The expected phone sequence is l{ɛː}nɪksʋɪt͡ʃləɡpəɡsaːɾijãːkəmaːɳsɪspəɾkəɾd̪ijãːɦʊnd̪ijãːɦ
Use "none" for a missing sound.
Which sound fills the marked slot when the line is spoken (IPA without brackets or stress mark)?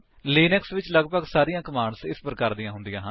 iː